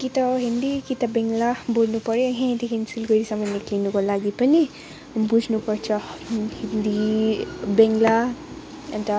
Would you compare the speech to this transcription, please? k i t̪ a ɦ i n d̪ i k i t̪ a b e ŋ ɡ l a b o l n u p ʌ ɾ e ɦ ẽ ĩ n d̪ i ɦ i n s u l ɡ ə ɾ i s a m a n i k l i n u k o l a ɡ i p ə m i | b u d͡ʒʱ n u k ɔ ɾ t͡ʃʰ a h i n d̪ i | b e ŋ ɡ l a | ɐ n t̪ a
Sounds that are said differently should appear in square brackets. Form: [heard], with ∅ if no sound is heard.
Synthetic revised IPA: k i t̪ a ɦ i n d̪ i k i t̪ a b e ŋ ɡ l a b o l n u p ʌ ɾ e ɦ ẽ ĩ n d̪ i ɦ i n s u l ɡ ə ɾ i s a m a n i k l i n u k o l a ɡ i p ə [n] i | b u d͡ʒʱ n u [p] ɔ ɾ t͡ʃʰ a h i n d̪ i | b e ŋ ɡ l a | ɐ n t̪ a

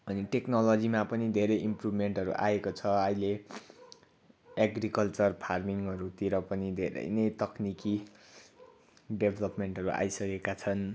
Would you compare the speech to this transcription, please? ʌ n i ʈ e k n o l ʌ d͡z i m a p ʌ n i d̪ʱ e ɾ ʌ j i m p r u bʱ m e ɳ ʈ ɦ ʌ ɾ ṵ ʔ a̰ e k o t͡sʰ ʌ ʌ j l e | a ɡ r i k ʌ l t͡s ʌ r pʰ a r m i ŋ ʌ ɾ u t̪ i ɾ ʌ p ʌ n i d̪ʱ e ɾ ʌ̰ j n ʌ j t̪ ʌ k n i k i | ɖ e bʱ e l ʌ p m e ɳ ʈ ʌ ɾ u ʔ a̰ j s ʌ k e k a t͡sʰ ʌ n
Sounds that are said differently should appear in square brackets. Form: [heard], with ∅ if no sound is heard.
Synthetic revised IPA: ʌ n i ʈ e k n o l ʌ d͡z i m a p ʌ n i d̪ʱ e ɾ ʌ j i m p r u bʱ m e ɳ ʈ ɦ ʌ ɾ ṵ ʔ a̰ e k o t͡sʰ ʌ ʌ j l e | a ɡ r i k ʌ l t͡s ʌ r pʰ a r m i ŋ ʌ ɾ u t̪ i ɾ ʌ p ʌ n i d̪ʱ e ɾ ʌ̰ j n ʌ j t̪ ʌ k n i k i | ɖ e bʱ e l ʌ p m e ɳ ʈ ʌ ɾ u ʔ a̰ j s ʌ k e k a t͡sʰ ʌ n

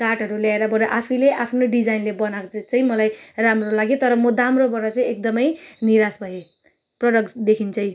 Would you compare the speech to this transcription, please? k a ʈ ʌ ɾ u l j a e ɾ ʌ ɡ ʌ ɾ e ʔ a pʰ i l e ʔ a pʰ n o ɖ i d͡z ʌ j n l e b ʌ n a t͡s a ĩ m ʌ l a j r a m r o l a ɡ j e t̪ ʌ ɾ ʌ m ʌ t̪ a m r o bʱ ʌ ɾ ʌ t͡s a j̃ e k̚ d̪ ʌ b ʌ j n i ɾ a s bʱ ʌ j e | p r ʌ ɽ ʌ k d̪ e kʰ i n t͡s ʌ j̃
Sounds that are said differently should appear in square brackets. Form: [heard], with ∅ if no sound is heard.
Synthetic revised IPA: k a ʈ ʌ ɾ u l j a e ɾ ʌ [b] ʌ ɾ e ʔ a pʰ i l e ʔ a pʰ n o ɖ i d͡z [a] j n l e b ʌ n a t͡s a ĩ m ʌ l a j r a m r o l a ɡ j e t̪ ʌ ɾ ʌ m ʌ [d̪] a m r o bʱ ʌ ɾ ʌ t͡s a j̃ e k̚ d̪ ʌ [m] ʌ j n i ɾ a s bʱ ʌ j e | p r ʌ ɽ ʌ k d̪ e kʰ i n t͡s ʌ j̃

